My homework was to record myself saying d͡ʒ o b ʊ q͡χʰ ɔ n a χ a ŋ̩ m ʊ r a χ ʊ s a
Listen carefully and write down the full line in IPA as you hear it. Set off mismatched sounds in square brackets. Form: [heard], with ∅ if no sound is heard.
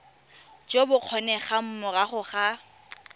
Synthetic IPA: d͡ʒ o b ʊ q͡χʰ ɔ n [ɛ] χ a [m̩] m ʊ r a χ ʊ [χ] a

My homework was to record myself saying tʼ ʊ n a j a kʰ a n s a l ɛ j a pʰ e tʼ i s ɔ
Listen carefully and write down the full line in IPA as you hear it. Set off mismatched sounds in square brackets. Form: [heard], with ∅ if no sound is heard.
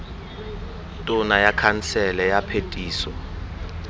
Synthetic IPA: tʼ ʊ n a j a kʰ a n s [ɛ] l ɛ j a pʰ e tʼ [iː] s ɔ

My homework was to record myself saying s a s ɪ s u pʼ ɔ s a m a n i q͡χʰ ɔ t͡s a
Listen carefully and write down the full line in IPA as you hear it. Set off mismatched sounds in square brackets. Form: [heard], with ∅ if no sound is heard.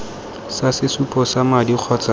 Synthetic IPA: s a s ɪ s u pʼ ɔ s a m a [d] i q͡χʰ ɔ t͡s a

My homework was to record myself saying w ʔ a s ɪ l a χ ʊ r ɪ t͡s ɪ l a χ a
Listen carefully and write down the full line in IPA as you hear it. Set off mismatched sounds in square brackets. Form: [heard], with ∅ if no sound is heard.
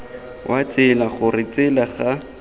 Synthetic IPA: w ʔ a [t͡s] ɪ l a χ ʊ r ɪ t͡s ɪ l a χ a

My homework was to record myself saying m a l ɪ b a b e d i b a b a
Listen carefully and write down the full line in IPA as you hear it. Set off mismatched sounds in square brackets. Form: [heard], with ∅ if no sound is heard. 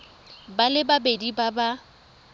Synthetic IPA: [b] a l ɪ b a b e d i b a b a

